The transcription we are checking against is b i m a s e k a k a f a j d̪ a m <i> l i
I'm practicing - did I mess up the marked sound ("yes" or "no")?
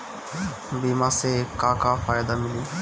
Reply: no